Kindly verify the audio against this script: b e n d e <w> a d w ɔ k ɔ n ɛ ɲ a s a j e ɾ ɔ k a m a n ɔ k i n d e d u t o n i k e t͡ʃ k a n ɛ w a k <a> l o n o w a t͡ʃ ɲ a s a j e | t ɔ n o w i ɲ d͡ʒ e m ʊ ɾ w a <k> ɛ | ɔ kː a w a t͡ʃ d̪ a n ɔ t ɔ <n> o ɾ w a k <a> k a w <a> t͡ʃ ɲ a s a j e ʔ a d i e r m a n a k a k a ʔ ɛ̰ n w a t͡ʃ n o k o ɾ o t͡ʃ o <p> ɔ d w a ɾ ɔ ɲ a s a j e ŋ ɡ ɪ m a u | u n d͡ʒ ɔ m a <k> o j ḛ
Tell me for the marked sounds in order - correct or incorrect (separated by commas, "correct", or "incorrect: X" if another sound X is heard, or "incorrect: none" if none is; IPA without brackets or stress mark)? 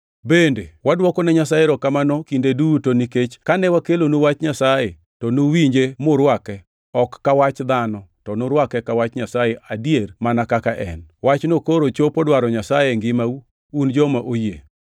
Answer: correct, incorrect: e, correct, correct, incorrect: ɛ, correct, correct, incorrect: ʔ